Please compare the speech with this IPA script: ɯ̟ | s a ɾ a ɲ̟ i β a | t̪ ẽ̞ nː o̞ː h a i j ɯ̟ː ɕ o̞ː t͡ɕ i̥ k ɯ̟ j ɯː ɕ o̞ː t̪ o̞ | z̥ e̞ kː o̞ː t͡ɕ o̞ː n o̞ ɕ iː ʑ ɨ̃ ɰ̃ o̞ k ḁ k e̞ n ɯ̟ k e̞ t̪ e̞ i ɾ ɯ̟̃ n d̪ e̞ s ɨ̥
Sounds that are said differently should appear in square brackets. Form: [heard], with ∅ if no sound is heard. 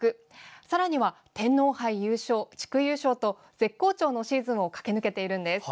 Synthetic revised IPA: ɯ̟ | s a ɾ a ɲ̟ i β a | t̪ ẽ̞ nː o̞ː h a i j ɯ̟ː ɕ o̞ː t͡ɕ i̥ k ɯ̟ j ɯː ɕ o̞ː t̪ o̞ | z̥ e̞ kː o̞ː t͡ɕ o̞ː n o̞ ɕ iː [z] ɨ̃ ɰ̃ o̞ k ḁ k e̞ n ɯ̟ k e̞ t̪ e̞ i ɾ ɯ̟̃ n d̪ e̞ s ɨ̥